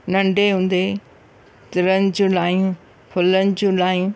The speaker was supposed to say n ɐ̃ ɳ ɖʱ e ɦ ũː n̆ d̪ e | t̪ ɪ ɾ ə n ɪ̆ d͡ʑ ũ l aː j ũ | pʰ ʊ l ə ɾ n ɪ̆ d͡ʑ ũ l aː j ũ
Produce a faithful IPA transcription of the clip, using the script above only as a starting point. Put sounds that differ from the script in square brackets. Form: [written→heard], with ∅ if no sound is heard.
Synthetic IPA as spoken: n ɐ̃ ɳ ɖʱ e ɦ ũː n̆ d̪ e | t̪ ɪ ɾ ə n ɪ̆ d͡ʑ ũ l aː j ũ | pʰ ʊ l ə [ɾ→∅] n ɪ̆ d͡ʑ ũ l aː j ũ